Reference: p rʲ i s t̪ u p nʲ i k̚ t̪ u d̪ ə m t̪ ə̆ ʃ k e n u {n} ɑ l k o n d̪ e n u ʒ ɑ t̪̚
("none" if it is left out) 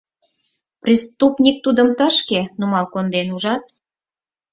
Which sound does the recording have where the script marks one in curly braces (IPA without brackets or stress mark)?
m